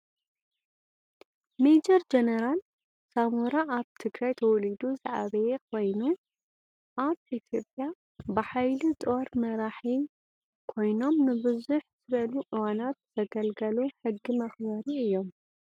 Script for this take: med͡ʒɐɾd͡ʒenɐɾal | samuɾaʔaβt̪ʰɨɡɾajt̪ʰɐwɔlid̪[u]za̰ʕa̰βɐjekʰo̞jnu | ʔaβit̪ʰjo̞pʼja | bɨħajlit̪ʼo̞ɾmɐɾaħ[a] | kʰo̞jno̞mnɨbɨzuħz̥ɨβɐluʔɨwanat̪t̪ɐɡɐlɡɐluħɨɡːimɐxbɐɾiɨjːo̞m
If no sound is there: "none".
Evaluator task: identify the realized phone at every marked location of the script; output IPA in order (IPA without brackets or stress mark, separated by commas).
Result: u, i